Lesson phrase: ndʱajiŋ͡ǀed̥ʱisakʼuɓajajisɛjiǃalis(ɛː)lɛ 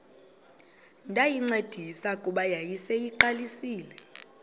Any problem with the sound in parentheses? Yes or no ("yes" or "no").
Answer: yes